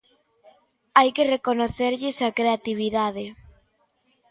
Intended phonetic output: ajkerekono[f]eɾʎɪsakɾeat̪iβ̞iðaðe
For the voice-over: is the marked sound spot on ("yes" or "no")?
no